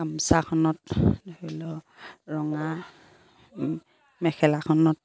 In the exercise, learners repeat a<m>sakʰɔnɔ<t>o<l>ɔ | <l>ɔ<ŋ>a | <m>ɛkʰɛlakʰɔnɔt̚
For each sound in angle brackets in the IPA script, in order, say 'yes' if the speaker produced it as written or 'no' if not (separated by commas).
yes, yes, yes, no, yes, yes